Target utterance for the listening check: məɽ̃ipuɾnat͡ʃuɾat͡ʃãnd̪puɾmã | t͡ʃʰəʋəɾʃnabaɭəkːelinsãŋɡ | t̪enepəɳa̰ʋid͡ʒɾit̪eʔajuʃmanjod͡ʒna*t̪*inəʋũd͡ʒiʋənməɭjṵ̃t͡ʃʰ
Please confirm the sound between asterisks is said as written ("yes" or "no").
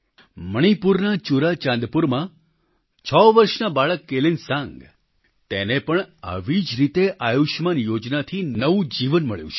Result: no